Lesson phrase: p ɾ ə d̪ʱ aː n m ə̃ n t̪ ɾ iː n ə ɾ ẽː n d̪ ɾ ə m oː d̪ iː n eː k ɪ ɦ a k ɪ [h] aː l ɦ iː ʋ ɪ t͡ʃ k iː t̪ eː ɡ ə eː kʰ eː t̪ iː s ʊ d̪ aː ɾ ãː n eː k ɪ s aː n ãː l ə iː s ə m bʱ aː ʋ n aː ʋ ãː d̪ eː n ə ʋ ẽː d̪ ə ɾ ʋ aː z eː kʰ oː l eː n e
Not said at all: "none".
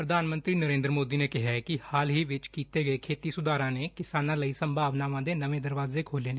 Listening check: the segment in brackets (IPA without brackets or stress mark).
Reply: h